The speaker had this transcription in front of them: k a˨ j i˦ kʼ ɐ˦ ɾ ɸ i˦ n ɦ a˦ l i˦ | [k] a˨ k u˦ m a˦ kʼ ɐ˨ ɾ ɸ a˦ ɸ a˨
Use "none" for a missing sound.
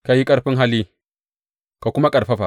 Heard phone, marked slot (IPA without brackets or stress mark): k